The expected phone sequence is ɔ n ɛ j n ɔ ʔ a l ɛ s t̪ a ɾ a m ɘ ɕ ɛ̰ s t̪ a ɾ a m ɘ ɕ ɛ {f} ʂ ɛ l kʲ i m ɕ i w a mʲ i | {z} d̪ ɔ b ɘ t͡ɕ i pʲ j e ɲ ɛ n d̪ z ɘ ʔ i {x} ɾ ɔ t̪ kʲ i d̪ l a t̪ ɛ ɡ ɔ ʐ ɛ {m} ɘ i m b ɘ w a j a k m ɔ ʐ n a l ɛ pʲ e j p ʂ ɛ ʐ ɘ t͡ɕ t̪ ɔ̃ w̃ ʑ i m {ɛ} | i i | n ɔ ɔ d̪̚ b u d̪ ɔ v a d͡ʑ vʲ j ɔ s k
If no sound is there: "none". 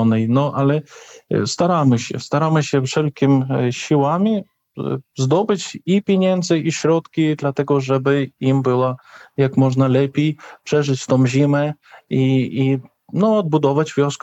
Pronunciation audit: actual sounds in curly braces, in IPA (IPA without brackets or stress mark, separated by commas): f, z, ɕ, b, ɛ